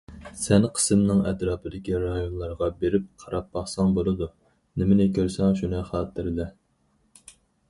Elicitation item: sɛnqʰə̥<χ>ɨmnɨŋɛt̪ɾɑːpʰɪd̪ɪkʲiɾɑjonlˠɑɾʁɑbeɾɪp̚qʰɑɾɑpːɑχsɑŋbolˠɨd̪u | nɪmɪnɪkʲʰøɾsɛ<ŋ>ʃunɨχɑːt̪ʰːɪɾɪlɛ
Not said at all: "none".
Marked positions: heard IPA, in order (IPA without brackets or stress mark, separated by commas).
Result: s, ŋ